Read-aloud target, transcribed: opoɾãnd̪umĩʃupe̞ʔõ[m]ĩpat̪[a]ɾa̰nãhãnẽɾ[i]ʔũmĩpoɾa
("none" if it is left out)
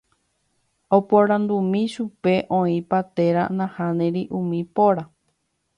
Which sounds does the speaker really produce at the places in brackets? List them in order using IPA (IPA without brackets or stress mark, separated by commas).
none, e, i